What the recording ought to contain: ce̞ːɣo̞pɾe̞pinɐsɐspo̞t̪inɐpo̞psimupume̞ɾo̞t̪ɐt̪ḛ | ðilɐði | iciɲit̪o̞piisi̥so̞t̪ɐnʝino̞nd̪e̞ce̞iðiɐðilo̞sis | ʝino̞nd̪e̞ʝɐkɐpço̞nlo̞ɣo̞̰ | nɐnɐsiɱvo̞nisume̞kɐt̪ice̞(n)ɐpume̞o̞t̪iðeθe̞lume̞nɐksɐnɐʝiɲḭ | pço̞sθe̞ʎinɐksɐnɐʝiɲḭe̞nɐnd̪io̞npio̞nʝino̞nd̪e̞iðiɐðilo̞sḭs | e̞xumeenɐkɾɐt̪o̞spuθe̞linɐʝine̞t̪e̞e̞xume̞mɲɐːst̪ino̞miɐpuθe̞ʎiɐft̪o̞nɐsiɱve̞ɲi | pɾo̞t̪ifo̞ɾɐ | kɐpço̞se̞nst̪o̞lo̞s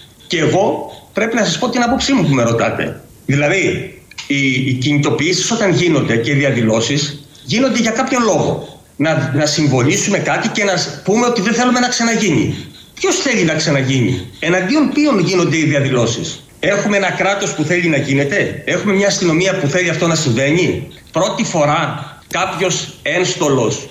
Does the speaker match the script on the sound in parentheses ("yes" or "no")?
yes